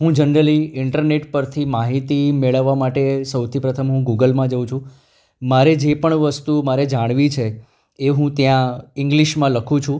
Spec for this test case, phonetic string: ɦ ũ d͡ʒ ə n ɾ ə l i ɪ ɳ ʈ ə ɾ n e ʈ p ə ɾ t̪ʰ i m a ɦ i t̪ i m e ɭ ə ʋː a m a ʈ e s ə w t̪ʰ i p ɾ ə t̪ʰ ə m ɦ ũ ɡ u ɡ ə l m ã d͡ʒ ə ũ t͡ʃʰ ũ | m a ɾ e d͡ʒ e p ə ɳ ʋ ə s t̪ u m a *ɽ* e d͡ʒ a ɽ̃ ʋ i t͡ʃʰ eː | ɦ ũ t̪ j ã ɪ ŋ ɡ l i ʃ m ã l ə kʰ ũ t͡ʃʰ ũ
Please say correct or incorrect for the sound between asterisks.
incorrect